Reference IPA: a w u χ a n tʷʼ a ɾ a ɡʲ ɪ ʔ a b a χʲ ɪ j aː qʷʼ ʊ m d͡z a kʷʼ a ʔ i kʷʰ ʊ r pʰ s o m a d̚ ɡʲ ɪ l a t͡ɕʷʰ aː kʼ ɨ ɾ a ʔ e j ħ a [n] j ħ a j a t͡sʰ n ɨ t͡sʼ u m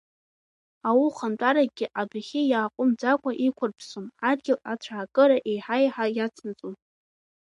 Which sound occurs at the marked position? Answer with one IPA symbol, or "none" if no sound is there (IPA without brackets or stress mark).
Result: none